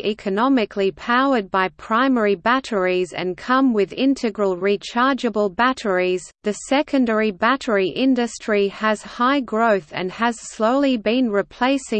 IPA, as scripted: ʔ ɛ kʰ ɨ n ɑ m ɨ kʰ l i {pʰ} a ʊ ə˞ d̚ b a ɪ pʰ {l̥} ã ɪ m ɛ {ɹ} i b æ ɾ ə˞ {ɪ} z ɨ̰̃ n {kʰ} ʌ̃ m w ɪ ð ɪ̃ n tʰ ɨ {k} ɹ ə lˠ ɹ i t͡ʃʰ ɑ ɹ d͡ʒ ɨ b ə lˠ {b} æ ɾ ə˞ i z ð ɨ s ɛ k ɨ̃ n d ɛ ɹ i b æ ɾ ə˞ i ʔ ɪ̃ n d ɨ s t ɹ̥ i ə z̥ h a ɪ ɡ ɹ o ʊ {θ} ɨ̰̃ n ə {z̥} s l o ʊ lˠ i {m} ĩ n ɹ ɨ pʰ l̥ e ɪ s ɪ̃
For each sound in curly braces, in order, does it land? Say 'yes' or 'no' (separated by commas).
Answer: yes, no, yes, no, yes, no, yes, yes, yes, no